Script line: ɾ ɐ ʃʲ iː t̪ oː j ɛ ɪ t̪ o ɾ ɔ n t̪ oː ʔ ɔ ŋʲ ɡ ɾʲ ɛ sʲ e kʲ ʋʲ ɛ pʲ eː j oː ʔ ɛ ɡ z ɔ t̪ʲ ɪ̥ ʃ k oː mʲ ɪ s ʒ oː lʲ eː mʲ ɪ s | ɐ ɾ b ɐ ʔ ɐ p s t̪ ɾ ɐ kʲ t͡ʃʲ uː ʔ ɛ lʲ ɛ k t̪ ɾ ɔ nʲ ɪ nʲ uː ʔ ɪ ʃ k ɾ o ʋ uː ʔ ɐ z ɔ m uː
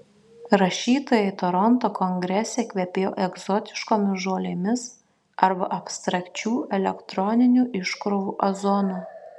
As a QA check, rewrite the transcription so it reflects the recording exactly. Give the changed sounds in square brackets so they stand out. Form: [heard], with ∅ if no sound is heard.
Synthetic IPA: ɾ ɐ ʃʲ iː t̪ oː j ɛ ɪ t̪ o ɾ ɔ n t̪ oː [k] ɔ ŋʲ ɡ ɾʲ ɛ sʲ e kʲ ʋʲ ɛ pʲ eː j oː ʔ ɛ ɡ z ɔ t̪ʲ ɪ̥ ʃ k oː mʲ ɪ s ʒ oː lʲ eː mʲ ɪ s | ɐ ɾ b ɐ ʔ ɐ p s t̪ ɾ ɐ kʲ t͡ʃʲ uː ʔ ɛ lʲ ɛ k t̪ ɾ ɔ nʲ ɪ nʲ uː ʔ ɪ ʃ k ɾ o ʋ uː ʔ ɐ z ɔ [n] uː

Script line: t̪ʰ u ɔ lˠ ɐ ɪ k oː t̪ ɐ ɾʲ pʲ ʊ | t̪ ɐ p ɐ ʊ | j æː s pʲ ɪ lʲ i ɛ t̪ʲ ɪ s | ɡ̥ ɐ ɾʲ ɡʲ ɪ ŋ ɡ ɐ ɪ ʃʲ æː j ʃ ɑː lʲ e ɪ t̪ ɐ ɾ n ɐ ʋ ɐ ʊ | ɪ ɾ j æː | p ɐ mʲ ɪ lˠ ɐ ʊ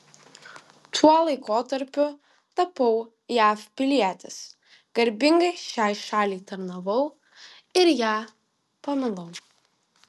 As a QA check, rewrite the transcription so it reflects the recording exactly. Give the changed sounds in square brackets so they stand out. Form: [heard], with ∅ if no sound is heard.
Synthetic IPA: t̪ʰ u ɔ lˠ ɐ ɪ k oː t̪ ɐ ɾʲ pʲ ʊ | t̪ ɐ p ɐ ʊ | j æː [f] pʲ ɪ lʲ i ɛ t̪ʲ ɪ s | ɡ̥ ɐ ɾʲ [bʲ] ɪ ŋ ɡ ɐ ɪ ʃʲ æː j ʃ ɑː lʲ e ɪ t̪ ɐ ɾ n ɐ ʋ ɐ ʊ | ɪ ɾ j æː | p ɐ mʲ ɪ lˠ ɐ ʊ

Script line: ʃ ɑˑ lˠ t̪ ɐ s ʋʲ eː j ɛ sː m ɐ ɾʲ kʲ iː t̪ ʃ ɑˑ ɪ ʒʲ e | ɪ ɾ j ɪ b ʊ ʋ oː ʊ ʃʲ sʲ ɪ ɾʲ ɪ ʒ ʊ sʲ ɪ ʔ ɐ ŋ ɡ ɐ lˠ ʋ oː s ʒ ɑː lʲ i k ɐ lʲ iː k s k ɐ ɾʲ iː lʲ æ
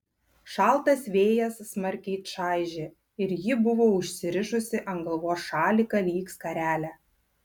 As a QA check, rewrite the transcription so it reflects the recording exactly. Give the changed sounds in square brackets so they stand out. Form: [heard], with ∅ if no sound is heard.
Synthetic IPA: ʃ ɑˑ lˠ t̪ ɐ s ʋʲ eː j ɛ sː m ɐ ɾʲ kʲ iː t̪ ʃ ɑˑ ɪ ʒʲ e | ɪ ɾ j ɪ b ʊ ʋ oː ʊ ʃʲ sʲ ɪ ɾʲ ɪ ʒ ʊ sʲ ɪ ʔ ɐ ŋ ɡ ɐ lˠ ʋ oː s [ʃ] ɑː lʲ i k ɐ lʲ iː k s k ɐ ɾʲ [æː] lʲ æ

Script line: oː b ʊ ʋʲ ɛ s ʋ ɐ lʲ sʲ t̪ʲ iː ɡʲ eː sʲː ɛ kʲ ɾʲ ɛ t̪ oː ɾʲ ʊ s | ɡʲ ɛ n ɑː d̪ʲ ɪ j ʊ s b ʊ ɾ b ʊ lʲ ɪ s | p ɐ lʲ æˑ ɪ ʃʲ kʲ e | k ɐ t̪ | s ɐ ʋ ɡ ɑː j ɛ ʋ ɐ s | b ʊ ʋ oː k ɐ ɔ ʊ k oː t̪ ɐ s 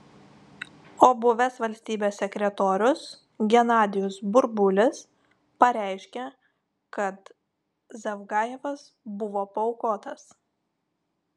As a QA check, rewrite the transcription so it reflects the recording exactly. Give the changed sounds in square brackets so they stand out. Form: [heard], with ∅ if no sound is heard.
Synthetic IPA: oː b ʊ ʋʲ ɛ s ʋ ɐ lʲ sʲ t̪ʲ iː [bʲ] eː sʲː ɛ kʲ ɾʲ ɛ t̪ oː ɾʲ ʊ s | ɡʲ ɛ n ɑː d̪ʲ ɪ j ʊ s b ʊ ɾ b ʊ lʲ ɪ s | p ɐ [ɾʲ] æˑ ɪ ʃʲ kʲ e | k ɐ t̪ | [z] ɐ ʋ ɡ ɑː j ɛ ʋ ɐ s | b ʊ ʋ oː [p] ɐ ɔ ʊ k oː t̪ ɐ s

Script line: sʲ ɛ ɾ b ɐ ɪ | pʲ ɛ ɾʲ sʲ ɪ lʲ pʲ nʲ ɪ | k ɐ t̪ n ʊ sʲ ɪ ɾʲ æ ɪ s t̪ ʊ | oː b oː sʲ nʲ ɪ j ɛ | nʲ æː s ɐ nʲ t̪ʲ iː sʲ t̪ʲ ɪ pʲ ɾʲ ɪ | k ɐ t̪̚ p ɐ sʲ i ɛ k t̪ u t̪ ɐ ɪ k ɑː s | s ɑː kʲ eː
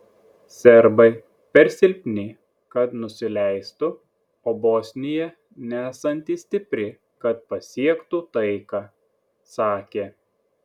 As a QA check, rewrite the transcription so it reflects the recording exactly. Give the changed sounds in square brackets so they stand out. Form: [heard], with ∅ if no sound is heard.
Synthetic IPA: sʲ ɛ ɾ b ɐ ɪ | pʲ ɛ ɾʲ sʲ ɪ lʲ pʲ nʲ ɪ | k ɐ t̪ n ʊ sʲ ɪ [lʲ] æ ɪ s t̪ ʊ | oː b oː sʲ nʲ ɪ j ɛ | nʲ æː s ɐ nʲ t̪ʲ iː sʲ t̪ʲ ɪ pʲ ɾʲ ɪ | k ɐ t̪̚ p ɐ sʲ i ɛ k t̪ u t̪ ɐ ɪ k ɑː [∅] | s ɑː kʲ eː

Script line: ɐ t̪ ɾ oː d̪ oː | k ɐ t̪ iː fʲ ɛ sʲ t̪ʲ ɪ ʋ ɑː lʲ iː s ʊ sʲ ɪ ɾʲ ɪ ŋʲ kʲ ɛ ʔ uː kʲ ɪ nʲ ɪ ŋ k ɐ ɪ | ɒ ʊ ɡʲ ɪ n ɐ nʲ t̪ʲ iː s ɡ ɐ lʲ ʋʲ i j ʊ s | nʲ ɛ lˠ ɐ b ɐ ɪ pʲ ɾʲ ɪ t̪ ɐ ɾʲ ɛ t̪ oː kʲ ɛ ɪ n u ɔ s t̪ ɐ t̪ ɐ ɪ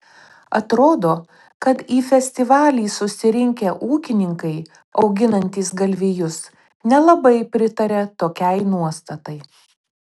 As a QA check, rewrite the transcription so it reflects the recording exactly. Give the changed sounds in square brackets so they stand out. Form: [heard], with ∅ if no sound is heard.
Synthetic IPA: ɐ t̪ ɾ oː d̪ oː | k ɐ t̪ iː fʲ ɛ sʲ t̪ʲ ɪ ʋ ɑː lʲ iː s ʊ sʲ ɪ ɾʲ ɪ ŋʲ kʲ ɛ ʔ uː kʲ ɪ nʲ ɪ ŋ k ɐ ɪ | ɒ ʊ ɡʲ ɪ n ɐ nʲ t̪ʲ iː s ɡ ɐ lʲ ʋʲ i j ʊ s | nʲ ɛ lˠ ɐ b ɐ ɪ pʲ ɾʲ ɪ t̪ ɐ ɾʲ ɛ t̪ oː kʲ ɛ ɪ n u ɔ s t̪ ɐ t̪ ɐ ɪ

